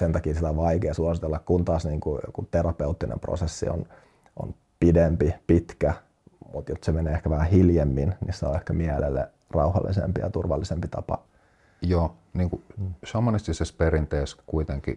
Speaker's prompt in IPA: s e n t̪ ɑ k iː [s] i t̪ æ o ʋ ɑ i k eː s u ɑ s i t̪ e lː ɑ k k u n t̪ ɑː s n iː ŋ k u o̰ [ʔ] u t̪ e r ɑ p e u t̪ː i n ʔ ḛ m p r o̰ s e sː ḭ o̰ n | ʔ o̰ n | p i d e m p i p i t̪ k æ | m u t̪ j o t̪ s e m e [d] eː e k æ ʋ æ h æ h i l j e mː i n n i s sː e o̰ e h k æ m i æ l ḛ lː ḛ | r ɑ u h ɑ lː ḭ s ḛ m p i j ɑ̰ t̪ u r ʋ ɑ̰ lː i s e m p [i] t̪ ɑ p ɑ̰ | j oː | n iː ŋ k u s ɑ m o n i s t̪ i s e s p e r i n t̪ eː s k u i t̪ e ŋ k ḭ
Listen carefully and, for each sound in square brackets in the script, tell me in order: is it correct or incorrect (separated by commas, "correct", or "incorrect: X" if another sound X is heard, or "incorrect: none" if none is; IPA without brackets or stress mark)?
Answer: correct, incorrect: k, incorrect: n, correct